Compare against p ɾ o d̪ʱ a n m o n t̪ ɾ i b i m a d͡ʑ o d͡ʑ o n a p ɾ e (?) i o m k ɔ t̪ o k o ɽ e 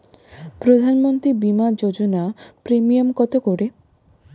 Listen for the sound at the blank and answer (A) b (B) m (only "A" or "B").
B